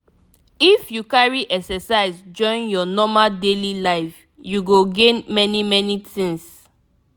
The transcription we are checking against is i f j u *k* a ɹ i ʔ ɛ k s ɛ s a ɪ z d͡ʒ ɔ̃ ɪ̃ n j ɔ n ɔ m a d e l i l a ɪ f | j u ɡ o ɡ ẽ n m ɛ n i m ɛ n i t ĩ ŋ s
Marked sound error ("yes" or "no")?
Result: no